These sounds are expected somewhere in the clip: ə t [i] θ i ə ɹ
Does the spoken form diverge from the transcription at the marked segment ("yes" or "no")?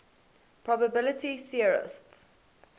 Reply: no